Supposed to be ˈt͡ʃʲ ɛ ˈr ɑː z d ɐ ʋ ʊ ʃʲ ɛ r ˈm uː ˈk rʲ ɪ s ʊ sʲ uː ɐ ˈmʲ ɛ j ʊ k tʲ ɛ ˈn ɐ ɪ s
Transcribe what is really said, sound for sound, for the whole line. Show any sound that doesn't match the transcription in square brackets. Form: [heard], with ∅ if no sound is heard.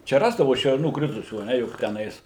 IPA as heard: ˈt͡ʃʲ ɛ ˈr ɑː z d ɐ ʋ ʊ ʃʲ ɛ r [ˈn] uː ˈk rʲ ɪ [t] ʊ sʲ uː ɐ [ˈnʲ] ɛ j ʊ k tʲ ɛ ˈn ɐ ɪ s

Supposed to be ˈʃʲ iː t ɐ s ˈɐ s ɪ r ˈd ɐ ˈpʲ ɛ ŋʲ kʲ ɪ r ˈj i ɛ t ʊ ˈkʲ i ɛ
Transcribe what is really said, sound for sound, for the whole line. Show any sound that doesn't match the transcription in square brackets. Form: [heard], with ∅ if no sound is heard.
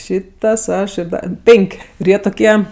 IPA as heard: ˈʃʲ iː t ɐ s ˈɐ [ʃ] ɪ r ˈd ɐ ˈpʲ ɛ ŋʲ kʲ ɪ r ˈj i ɛ t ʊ ˈkʲ i ɛ

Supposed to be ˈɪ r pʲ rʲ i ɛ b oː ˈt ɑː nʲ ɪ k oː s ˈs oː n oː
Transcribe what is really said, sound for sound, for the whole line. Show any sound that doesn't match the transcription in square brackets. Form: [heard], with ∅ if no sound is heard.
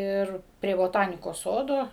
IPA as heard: ˈɪ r pʲ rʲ i ɛ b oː ˈt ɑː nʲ ɪ k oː s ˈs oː [d] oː

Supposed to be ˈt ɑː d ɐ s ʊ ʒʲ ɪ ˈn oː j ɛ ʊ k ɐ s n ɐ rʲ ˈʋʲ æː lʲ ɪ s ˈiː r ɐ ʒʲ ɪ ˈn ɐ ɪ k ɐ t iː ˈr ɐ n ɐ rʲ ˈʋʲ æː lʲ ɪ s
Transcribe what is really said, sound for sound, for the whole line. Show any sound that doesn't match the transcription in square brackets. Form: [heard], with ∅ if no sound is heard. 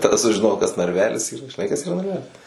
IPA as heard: ˈt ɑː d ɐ s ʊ ʒʲ ɪ ˈn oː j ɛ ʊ k ɐ s n ɐ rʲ ˈʋʲ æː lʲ ɪ s ˈiː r ɐ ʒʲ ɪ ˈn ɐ ɪ k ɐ [s] iː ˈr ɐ n ɐ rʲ ˈʋʲ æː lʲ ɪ s

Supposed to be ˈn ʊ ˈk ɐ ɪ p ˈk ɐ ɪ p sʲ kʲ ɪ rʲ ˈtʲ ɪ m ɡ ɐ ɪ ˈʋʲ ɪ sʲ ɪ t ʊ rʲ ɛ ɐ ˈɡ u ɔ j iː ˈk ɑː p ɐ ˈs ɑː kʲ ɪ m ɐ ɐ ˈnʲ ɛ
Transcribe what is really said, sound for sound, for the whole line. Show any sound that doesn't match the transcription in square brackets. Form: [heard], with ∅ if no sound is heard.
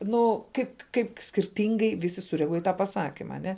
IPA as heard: ˈn ʊ ˈk ɐ ɪ p ˈk ɐ ɪ p sʲ kʲ ɪ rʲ ˈtʲ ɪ [ŋ] ɡ ɐ ɪ ˈʋʲ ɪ sʲ ɪ [s] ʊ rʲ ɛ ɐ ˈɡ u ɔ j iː [ˈt] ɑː p ɐ ˈs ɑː kʲ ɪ m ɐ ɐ ˈnʲ ɛ

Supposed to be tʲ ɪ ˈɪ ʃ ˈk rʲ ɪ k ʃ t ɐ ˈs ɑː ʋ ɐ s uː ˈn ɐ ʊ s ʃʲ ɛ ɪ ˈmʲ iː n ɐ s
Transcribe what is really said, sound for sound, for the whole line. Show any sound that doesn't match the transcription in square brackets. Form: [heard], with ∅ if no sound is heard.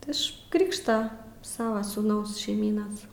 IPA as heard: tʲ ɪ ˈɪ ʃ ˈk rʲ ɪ k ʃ t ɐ ˈs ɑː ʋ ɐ s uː ˈn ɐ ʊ s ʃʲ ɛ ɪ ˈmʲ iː n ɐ s

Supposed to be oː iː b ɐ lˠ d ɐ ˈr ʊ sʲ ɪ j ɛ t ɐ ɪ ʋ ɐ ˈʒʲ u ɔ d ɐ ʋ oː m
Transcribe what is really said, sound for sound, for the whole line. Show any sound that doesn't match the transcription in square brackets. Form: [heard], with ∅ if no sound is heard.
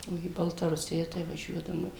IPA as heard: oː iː b ɐ lˠ [t] ɐ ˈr ʊ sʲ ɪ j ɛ t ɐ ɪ ʋ ɐ ˈʒʲ u ɔ d ɐ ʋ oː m

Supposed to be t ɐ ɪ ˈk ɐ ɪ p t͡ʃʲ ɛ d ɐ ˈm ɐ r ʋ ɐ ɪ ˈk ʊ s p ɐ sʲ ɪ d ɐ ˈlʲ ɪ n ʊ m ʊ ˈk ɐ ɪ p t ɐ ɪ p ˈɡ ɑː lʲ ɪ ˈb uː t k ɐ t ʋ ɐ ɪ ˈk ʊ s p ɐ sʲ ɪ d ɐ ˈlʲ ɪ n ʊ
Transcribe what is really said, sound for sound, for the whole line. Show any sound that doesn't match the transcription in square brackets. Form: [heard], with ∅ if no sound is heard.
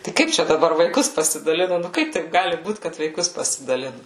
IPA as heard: t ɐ ɪ ˈk ɐ ɪ p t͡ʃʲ ɛ d ɐ [ˈb] ɐ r ʋ ɐ ɪ ˈk ʊ s p ɐ sʲ ɪ d ɐ ˈlʲ ɪ n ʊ [n] ʊ ˈk ɐ ɪ p t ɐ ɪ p ˈɡ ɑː lʲ ɪ ˈb uː t k ɐ t ʋ ɐ ɪ ˈk ʊ s p ɐ sʲ ɪ d ɐ ˈlʲ ɪ n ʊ

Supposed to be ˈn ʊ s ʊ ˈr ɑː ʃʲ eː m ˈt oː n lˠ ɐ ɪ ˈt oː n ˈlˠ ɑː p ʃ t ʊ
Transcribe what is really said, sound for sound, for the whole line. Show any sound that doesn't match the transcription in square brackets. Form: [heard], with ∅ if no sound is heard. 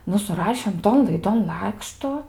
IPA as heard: ˈn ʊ s ʊ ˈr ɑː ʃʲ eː m ˈt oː n lˠ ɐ ɪ [ˈd] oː n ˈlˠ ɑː [k] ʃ t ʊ

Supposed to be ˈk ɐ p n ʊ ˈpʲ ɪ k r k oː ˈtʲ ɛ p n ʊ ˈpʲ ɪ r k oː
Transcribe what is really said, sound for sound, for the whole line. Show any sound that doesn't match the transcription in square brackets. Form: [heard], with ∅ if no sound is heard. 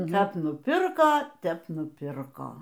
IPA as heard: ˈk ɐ p n ʊ ˈpʲ ɪ [∅] r k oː ˈtʲ ɛ p n ʊ ˈpʲ ɪ r k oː

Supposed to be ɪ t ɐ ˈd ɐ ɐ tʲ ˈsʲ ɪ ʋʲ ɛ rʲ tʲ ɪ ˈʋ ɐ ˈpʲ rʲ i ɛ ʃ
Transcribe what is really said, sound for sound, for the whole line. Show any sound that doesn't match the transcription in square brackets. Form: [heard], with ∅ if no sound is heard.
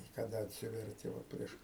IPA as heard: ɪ [k] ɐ ˈd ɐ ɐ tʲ ˈsʲ ɪ ʋʲ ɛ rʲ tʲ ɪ ˈʋ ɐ ˈpʲ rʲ i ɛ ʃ

